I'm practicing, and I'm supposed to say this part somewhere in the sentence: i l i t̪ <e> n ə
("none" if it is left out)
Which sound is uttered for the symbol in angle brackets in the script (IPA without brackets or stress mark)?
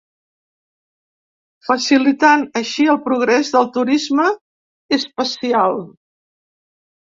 a